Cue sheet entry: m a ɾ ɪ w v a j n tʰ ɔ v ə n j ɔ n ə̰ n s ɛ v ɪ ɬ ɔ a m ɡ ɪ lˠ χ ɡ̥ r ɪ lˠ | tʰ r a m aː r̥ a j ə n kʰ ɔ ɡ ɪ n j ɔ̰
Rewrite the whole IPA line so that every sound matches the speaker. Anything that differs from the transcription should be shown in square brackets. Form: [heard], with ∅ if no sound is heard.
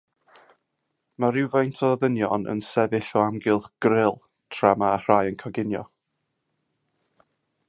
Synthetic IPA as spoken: m a ɾ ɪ w v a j n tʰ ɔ [ð] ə n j ɔ n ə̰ n s ɛ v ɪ ɬ ɔ a m ɡ ɪ lˠ χ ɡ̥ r ɪ lˠ | tʰ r a m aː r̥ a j ə n kʰ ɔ ɡ ɪ n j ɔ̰